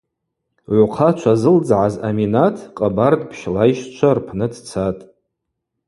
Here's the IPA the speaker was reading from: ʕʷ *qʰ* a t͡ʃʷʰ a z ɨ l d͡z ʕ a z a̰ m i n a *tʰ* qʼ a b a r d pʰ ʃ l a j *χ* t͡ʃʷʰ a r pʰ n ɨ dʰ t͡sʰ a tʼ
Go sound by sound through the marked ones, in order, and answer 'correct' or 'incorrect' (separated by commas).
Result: correct, correct, incorrect